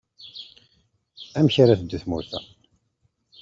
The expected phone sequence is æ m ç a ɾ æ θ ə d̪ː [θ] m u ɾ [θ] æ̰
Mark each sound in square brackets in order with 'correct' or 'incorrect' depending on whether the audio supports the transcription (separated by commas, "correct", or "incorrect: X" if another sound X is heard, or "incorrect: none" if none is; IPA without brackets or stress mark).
correct, correct